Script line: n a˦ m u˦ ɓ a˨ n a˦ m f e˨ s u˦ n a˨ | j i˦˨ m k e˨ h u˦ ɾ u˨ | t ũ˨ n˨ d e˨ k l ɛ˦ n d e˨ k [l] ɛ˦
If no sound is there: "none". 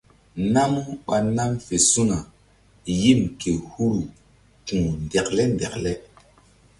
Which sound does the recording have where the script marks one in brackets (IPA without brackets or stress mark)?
l